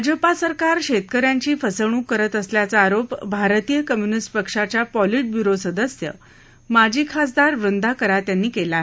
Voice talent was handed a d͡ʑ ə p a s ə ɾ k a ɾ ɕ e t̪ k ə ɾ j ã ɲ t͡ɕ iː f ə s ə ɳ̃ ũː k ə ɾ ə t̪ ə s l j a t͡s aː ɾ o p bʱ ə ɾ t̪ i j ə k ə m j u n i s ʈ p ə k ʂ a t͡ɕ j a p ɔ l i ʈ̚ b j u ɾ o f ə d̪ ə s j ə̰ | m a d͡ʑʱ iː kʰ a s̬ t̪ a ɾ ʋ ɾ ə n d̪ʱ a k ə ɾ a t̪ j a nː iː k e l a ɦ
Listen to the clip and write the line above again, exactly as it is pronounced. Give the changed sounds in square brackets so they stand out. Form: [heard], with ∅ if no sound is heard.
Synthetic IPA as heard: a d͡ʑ ə p a s ə ɾ k a ɾ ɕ e t̪ k ə ɾ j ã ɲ t͡ɕ iː f ə s ə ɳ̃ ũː k ə ɾ ə t̪ ə s l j a t͡s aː ɾ o p bʱ [a] ɾ t̪ i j ə k ə m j u n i s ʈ p ə k ʂ a t͡ɕ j a p ɔ l i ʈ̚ b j u ɾ o [s] ə d̪ ə s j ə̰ | m a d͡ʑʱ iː kʰ a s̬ [d̪] a ɾ ʋ ɾ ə n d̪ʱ a k ə ɾ a t̪ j a nː iː k e l a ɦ

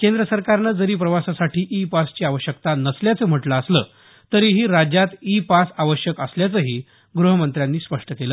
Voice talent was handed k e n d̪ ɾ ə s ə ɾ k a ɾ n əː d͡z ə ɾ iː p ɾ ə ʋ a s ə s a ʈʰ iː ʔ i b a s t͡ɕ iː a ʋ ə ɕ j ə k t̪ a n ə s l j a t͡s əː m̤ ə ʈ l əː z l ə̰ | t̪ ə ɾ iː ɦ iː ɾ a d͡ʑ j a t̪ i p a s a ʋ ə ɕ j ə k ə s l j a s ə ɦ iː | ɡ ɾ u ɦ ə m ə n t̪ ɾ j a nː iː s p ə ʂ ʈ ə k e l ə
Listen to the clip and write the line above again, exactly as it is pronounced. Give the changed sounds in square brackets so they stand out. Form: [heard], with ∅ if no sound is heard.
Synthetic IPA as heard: k e n d̪ ɾ ə s ə ɾ k a ɾ n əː d͡z ə ɾ iː p ɾ ə ʋ a s [a] s a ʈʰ iː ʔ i [p] a s t͡ɕ iː a ʋ ə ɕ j ə k t̪ a n ə s l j a t͡s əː m̤ ə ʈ l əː [s] l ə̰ | t̪ ə ɾ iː ɦ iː ɾ a d͡ʑ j a t̪ i p a s a ʋ ə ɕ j ə k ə s l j a [t͡s] ə ɦ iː | ɡ ɾ u ɦ ə m ə n t̪ ɾ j a nː iː s p ə ʂ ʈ ə k e l ə

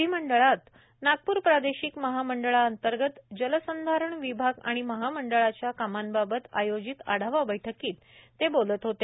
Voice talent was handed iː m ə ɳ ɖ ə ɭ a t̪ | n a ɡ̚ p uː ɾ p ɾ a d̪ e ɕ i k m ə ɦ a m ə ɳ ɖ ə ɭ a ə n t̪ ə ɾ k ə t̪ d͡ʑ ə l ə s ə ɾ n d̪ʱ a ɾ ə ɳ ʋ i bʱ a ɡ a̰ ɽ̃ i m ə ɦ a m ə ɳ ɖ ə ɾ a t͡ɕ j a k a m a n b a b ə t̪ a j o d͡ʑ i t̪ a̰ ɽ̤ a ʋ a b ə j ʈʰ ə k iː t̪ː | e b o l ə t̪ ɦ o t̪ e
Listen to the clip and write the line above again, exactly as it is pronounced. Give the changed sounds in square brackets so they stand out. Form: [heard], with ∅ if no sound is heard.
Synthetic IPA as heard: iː m ə ɳ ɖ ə ɭ a t̪ | n a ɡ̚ p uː ɾ p ɾ a d̪ e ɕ i k m ə ɦ a m ə ɳ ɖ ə ɭ a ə n t̪ ə ɾ [ɡ] ə t̪ d͡ʑ ə l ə s ə [∅] n d̪ʱ a ɾ ə ɳ ʋ i bʱ a ɡ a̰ ɽ̃ i m ə ɦ a m ə ɳ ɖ ə [ɭ] a t͡ɕ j a k a m a n b a b ə t̪ a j o d͡ʑ i t̪ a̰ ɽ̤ a ʋ a b ə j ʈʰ ə k iː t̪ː | e b o l ə t̪ ɦ o t̪ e

